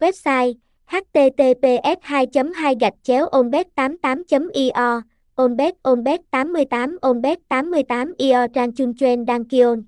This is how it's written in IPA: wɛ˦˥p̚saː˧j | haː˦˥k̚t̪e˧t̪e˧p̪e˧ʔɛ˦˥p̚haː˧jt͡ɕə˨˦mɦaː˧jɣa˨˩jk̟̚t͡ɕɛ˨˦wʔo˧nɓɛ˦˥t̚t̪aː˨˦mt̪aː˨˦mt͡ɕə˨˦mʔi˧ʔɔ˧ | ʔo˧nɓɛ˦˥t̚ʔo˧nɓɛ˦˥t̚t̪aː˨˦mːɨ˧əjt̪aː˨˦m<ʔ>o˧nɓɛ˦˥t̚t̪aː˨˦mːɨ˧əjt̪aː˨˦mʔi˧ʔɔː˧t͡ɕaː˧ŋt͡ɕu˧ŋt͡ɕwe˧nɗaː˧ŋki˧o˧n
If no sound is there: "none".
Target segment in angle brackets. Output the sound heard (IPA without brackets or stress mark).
ʔ